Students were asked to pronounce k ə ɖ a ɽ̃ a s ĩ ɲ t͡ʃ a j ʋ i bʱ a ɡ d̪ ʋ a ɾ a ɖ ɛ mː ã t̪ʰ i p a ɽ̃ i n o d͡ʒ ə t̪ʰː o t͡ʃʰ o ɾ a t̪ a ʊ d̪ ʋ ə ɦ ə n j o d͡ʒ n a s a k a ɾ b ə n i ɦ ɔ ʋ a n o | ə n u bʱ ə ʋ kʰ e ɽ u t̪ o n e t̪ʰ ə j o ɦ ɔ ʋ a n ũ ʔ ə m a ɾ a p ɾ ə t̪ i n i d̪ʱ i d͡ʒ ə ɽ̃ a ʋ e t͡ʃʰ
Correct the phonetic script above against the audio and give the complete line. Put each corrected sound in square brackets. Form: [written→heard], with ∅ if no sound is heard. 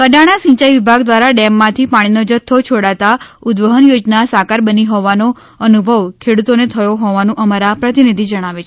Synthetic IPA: k ə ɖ a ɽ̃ a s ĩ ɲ t͡ʃ a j ʋ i bʱ a ɡ d̪ ʋ a ɾ a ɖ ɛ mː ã t̪ʰ i p a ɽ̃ i n o d͡ʒ ə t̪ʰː o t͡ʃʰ o [ɾ→ɽ] a t̪ a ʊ d̪ ʋ ə ɦ ə n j o d͡ʒ n a s a k a ɾ b ə n i ɦ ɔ ʋ a n o | ə n u bʱ ə ʋ kʰ e ɽ u t̪ o n e t̪ʰ ə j o ɦ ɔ ʋ a n ũ ʔ ə m a ɾ a p ɾ ə t̪ i n i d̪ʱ i d͡ʒ ə ɽ̃ a ʋ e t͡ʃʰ